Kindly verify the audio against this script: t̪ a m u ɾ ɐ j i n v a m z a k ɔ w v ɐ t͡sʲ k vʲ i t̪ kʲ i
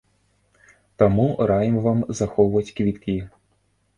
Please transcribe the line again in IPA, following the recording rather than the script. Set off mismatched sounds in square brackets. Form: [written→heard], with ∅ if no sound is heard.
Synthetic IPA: t̪ a m u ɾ [ɐ→a] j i [n→m] v a m z a [k→x] ɔ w v ɐ t͡sʲ k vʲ i t̪ kʲ i